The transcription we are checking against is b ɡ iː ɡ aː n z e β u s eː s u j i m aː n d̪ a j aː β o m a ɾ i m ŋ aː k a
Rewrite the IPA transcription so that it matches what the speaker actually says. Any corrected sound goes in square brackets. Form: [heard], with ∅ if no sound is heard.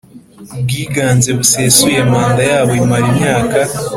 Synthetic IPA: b ɡ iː ɡ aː n z e β u s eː s u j [e] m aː n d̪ a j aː β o m a ɾ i m [ɲ] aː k a